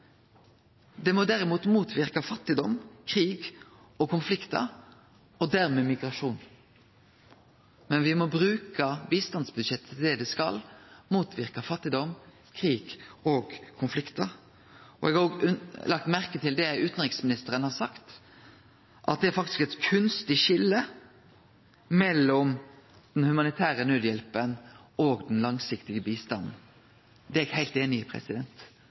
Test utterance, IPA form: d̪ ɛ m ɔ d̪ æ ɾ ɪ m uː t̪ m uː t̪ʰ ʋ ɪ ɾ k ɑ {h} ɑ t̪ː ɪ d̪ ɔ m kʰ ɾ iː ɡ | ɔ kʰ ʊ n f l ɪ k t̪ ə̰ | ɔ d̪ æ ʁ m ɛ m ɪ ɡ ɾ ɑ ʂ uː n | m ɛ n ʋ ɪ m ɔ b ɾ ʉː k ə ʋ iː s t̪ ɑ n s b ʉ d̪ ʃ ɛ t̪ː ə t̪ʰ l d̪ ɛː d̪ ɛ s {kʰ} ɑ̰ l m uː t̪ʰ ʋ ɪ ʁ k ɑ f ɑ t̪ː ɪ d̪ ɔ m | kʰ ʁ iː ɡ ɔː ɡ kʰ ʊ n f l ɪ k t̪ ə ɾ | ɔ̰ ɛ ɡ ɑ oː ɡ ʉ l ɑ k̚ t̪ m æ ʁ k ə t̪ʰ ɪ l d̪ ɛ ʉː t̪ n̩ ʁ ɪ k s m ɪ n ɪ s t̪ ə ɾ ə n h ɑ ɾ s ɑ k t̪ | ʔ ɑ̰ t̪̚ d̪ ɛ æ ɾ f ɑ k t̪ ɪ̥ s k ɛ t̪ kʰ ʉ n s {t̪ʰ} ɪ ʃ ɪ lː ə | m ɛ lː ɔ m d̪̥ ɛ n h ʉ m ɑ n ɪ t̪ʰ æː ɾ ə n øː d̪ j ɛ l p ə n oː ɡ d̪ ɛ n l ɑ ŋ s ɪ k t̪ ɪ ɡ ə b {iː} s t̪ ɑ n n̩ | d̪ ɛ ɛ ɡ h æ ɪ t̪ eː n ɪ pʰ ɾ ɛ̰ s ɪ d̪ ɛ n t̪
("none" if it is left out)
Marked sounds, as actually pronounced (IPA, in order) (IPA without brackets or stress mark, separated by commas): f, k, t̪, iː